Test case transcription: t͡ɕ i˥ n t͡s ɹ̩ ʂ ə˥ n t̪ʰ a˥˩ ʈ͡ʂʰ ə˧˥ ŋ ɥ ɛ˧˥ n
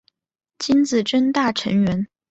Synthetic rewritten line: t͡ɕ i˥ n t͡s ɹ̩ ʈ͡ʂ ə˥ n t̪ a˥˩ ʈ͡ʂʰ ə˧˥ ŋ ɥ ɛ˧˥ n